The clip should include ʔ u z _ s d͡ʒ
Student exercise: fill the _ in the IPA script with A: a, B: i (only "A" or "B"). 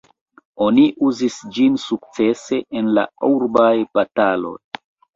B